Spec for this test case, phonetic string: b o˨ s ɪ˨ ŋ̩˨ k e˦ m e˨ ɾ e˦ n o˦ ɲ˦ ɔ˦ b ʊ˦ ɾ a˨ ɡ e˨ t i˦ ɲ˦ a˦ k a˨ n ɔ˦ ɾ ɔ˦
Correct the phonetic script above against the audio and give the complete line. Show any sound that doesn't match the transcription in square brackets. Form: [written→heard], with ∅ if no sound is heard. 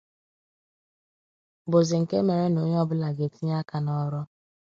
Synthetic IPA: b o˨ [s→z] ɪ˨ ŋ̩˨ k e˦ m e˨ ɾ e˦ n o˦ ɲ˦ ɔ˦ b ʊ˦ [ɾ→l] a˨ ɡ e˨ t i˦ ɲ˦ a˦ k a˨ n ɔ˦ ɾ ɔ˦

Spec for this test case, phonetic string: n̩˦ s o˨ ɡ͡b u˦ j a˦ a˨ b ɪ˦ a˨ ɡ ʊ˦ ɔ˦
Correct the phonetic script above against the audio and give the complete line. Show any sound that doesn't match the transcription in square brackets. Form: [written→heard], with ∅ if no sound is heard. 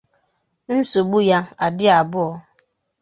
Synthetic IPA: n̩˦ s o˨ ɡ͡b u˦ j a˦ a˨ [b→d] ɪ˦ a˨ [ɡ→b] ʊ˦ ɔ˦

